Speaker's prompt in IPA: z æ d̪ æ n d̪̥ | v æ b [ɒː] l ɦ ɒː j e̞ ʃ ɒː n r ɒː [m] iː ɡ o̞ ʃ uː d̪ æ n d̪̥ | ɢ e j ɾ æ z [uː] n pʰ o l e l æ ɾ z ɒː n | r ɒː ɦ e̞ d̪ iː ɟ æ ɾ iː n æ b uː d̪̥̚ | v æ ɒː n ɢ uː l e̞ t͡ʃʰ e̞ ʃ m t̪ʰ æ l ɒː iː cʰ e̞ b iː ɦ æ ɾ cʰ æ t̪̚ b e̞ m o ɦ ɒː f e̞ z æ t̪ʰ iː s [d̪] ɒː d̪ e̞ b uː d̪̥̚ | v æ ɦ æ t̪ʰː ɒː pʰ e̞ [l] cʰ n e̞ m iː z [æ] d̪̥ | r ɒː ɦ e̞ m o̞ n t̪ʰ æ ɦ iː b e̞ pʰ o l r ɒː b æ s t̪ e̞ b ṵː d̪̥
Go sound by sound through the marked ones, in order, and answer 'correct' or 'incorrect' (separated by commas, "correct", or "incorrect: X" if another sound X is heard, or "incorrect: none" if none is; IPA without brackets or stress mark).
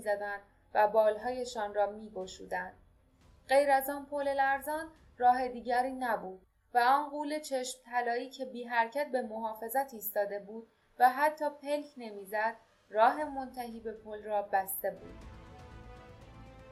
correct, correct, incorrect: ɒː, incorrect: t̪, correct, correct